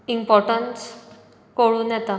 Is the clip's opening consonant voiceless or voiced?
voiced